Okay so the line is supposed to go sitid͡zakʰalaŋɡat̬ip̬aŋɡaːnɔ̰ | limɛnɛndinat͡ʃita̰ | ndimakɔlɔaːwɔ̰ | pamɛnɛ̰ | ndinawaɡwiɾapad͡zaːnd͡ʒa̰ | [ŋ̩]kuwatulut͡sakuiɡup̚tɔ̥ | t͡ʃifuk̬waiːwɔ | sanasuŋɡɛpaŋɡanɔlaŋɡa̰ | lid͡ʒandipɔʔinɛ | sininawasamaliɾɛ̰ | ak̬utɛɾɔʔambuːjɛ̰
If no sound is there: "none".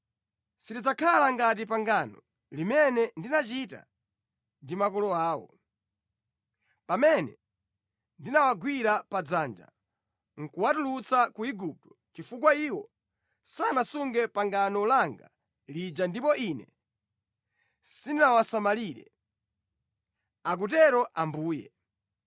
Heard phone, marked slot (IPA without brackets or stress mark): ŋ̩